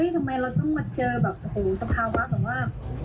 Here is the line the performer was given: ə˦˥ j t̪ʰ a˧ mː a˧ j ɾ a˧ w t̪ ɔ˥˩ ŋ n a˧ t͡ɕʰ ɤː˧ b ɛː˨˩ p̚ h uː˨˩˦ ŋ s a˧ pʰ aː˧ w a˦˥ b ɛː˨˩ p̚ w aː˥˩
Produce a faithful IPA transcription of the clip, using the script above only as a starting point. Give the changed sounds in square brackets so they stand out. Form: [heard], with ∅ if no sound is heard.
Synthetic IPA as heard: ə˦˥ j t̪ʰ a˧ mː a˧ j ɾ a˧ w t̪ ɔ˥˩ ŋ [m] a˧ [t͡ɕ] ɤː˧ b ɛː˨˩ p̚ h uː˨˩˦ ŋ s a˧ pʰ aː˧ w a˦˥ b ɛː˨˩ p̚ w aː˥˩